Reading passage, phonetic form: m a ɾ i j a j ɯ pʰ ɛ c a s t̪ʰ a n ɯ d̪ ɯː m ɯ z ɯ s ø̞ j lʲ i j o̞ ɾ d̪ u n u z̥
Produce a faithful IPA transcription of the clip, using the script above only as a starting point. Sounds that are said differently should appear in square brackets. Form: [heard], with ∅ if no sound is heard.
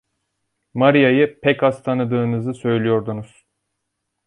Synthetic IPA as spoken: m a ɾ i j a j ɯ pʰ ɛ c a s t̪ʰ a n ɯ d̪ ɯː [n] ɯ z ɯ s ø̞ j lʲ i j o̞ ɾ d̪ u n u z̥